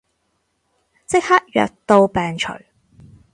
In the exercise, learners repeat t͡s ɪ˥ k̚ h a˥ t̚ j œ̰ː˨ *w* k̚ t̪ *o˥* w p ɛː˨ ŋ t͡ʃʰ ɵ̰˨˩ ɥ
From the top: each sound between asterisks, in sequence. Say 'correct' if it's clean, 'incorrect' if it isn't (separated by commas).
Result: incorrect, incorrect